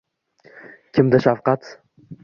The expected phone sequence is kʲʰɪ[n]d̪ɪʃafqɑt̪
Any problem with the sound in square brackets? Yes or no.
yes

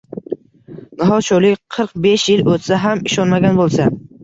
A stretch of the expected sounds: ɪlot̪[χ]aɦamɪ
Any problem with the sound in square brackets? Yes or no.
yes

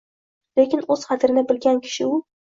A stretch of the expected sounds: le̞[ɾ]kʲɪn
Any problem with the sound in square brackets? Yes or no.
yes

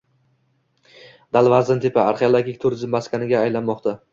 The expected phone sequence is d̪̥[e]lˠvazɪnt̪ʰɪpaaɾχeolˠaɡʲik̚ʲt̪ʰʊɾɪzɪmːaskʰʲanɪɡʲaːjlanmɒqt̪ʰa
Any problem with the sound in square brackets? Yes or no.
yes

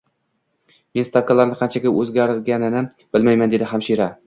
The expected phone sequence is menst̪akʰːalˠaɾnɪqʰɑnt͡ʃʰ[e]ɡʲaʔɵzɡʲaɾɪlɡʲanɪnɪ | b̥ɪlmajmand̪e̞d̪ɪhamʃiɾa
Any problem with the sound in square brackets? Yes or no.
yes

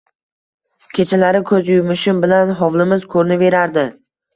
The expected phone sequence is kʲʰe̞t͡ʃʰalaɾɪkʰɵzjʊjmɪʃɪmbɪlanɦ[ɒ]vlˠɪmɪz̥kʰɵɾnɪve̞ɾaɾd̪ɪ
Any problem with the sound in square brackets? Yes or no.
no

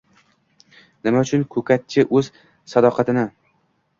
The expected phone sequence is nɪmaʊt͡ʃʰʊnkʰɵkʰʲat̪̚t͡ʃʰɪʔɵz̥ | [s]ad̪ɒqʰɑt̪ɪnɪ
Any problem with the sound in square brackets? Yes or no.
no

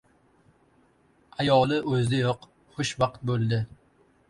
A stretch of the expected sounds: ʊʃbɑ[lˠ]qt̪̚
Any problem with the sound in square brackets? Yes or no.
yes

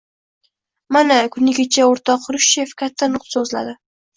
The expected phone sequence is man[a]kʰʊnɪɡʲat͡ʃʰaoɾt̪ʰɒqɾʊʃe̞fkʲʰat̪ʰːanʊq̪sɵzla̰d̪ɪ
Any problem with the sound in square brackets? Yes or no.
no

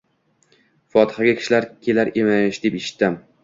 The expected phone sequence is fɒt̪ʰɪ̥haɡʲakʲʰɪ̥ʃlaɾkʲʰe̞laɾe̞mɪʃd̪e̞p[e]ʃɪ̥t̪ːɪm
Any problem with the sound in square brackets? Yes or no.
no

